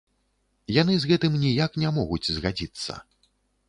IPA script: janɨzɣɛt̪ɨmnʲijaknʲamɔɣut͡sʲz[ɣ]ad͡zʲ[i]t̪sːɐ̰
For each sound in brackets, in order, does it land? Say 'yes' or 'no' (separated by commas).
yes, yes